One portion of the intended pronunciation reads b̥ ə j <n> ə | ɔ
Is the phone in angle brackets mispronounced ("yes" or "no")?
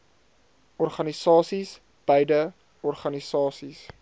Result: yes